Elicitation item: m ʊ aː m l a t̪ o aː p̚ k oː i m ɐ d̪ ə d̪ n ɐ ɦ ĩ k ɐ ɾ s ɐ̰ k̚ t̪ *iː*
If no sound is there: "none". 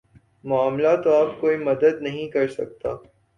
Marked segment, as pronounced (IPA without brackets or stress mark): aː